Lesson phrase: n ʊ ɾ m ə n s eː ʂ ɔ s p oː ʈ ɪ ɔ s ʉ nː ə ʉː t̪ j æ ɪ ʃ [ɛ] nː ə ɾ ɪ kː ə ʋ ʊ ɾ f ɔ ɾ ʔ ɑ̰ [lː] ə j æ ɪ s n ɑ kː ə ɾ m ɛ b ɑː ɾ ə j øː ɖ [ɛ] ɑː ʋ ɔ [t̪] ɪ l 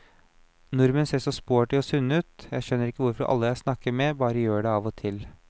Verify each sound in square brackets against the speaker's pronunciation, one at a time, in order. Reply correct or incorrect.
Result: incorrect: œ, correct, correct, incorrect: t̪ʰ

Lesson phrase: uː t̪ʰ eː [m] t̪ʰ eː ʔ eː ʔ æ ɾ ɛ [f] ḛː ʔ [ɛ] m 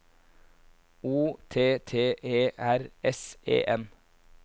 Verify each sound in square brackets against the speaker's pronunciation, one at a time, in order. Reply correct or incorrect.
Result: incorrect: none, incorrect: s, correct

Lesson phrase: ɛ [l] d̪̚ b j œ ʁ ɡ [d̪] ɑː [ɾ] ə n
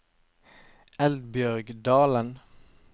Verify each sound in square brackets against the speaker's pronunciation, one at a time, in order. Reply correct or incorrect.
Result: correct, correct, incorrect: l

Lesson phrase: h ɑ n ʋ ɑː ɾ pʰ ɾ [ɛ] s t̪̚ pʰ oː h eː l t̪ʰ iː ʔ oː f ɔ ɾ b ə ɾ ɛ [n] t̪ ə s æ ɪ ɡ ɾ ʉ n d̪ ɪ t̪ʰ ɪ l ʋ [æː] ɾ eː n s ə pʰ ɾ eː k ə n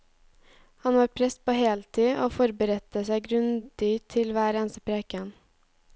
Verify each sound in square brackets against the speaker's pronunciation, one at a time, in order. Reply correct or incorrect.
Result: correct, incorrect: none, correct

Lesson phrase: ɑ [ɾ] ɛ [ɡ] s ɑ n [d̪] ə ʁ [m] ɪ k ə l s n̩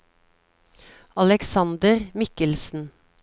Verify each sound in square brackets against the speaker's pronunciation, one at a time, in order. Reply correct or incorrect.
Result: incorrect: l, incorrect: k, correct, correct

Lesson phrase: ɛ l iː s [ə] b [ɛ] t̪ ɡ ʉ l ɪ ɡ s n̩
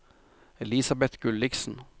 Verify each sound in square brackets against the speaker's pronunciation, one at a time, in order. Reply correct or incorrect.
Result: incorrect: ɑ, correct

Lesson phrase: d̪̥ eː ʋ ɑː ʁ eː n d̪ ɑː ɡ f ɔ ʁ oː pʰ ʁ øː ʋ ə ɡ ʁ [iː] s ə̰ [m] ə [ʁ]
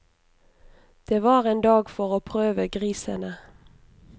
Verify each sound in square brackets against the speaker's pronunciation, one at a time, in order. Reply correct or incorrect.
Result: correct, incorrect: n, incorrect: none

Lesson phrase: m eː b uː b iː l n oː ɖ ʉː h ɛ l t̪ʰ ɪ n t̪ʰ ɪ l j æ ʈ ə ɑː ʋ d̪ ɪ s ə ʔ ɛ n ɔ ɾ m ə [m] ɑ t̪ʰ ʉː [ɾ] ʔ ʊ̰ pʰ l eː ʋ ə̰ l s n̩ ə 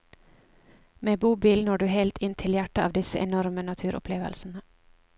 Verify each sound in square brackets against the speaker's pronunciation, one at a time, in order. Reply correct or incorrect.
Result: incorrect: n, correct

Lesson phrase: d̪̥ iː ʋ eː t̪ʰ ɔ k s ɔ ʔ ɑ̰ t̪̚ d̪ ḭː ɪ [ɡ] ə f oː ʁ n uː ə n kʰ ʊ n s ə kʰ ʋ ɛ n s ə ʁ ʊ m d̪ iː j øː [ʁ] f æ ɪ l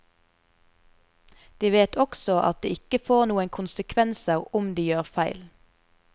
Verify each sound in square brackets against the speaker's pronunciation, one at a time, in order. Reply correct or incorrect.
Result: incorrect: k, correct

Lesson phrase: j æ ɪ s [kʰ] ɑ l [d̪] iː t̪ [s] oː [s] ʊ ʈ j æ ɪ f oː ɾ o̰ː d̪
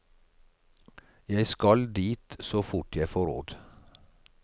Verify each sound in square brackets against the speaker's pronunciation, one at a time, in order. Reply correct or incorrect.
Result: incorrect: k, correct, correct, incorrect: f

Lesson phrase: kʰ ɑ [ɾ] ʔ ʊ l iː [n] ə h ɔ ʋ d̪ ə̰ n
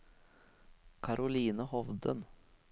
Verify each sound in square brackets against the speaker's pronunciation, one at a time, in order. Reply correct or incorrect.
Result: correct, correct

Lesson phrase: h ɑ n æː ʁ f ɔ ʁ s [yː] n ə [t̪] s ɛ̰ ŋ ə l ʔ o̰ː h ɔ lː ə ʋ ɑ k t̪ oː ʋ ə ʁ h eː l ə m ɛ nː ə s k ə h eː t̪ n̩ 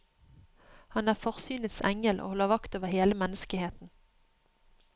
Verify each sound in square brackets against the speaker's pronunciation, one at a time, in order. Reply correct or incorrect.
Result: correct, correct

